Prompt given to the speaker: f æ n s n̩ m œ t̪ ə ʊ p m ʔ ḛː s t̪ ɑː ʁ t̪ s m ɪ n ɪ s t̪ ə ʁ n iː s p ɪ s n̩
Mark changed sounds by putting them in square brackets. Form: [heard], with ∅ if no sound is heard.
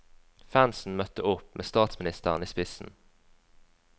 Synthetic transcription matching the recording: f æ n s n̩ m œ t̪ ə ʊ p m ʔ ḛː s t̪ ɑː [∅] t̪ s m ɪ n ɪ s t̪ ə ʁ n iː s p ɪ s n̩